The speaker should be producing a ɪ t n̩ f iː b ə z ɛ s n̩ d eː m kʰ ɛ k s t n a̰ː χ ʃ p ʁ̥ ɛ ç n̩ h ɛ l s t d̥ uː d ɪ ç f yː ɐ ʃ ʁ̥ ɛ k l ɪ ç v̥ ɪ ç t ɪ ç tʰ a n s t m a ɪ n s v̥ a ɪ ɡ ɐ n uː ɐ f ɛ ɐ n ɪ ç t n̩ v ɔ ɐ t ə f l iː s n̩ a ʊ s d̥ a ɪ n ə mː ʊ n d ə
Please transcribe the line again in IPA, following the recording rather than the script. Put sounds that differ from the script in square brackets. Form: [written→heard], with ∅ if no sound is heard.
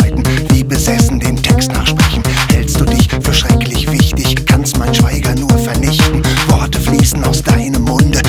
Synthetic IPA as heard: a ɪ t n̩ [f→v] iː b ə z ɛ s n̩ d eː m [kʰ→tʰ] ɛ k s t n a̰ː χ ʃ p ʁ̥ ɛ ç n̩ h ɛ l s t d̥ uː d ɪ ç f yː ɐ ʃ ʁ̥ ɛ k l ɪ ç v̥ ɪ ç t ɪ ç [tʰ→kʰ] a n s t m a ɪ n [s→ʃ] v̥ a ɪ ɡ ɐ n uː ɐ f ɛ ɐ n ɪ ç t n̩ v ɔ ɐ t ə f l iː s n̩ a ʊ s d̥ a ɪ n ə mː ʊ n d ə